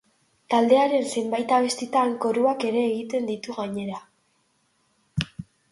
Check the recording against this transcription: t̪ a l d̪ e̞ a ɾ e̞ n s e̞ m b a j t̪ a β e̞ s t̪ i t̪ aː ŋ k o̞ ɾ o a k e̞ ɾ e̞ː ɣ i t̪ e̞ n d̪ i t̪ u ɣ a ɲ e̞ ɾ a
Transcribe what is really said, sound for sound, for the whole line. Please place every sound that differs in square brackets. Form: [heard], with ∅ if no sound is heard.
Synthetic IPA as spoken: t̪ a l d̪ e̞ a ɾ e̞ n s e̞ m b a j t̪ a β e̞ s t̪ i t̪ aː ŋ k o̞ ɾ [u] a k e̞ ɾ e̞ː ɣ i t̪ e̞ n d̪ i t̪ u ɣ a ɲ e̞ ɾ a